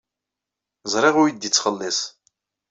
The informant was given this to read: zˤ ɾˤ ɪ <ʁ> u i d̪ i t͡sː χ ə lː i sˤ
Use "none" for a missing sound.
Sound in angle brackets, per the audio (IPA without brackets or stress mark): ʁ